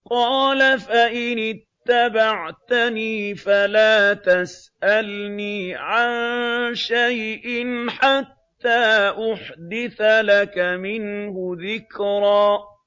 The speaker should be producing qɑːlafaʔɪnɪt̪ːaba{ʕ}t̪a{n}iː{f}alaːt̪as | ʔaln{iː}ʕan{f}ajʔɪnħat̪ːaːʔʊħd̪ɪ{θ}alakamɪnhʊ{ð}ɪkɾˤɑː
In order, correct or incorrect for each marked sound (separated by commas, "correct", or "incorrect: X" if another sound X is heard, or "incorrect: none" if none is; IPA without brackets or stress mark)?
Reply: correct, correct, correct, correct, incorrect: ʃ, correct, correct